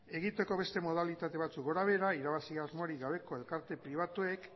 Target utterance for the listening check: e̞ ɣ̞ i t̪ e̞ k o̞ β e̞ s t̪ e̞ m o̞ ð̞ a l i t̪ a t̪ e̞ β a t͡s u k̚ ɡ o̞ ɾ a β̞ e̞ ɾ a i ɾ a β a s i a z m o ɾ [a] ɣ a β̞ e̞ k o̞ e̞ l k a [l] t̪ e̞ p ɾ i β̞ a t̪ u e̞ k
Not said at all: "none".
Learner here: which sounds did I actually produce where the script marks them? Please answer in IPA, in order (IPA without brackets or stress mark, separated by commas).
i, ɾ